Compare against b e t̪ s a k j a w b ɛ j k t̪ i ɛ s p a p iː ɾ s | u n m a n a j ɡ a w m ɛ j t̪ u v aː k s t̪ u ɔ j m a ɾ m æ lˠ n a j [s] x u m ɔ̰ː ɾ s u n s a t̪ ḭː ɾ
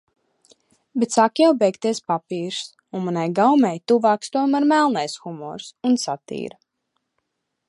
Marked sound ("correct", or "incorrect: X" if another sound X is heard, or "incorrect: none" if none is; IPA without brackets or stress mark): correct